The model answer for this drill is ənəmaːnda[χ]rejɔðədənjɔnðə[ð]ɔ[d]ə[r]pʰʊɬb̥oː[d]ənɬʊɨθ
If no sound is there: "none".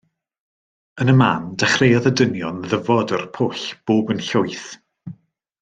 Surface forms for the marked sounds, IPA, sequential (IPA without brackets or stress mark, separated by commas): χ, v, d, r, b